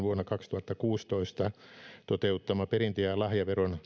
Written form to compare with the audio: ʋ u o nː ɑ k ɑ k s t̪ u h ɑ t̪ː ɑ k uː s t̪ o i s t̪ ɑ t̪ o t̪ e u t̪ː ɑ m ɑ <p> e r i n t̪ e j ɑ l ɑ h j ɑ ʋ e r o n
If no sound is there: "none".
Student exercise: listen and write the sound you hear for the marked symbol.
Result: p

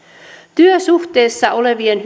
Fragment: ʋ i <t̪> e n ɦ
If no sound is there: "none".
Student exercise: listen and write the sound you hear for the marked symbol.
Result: none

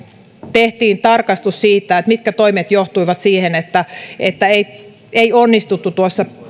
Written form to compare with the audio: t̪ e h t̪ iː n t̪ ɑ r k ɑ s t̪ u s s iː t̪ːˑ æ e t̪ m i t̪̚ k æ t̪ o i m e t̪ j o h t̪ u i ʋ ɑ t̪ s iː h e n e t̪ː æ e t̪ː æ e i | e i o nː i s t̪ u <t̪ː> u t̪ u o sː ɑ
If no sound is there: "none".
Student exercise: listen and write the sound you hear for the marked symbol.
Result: t̪ː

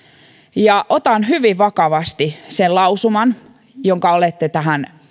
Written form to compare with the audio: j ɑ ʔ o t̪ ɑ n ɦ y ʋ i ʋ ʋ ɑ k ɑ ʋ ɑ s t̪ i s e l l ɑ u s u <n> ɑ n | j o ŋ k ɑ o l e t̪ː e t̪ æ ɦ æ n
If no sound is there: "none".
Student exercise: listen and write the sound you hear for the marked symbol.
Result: m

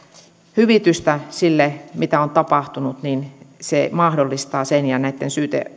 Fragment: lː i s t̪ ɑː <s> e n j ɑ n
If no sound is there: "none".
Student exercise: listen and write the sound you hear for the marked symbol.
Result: s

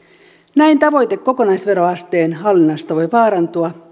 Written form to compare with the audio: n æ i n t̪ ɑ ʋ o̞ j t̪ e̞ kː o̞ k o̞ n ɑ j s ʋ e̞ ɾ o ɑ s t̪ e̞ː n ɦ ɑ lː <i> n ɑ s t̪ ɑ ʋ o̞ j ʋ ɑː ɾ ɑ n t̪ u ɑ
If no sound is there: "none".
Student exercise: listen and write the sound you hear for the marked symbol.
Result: i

